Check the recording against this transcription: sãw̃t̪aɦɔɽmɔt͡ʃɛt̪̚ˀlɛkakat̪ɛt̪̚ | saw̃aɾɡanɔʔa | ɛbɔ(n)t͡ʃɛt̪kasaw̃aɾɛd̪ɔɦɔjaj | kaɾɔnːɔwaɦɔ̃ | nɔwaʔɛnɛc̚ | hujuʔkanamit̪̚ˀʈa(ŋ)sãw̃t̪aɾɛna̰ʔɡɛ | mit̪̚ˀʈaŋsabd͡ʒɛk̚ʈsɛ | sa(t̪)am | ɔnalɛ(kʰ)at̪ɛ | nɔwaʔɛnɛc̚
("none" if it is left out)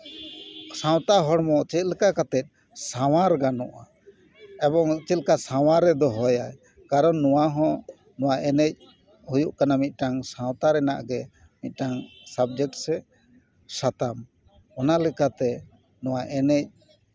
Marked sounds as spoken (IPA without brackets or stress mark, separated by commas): ŋ, ŋ, t̪, k